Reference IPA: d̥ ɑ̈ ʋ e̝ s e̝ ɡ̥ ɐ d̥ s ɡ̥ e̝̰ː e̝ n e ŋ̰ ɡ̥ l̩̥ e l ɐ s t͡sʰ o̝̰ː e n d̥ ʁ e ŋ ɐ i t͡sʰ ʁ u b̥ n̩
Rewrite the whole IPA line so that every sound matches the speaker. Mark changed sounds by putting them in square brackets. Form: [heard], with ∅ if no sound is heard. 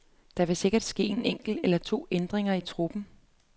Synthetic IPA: d̥ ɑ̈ ʋ e̝ s e̝ ɡ̥ ɐ d̥ s ɡ̥ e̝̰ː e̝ n e ŋ̰ ɡ̥ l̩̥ e l ɐ [∅] t͡sʰ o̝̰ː e n d̥ ʁ e ŋ ɐ i t͡sʰ ʁ u b̥ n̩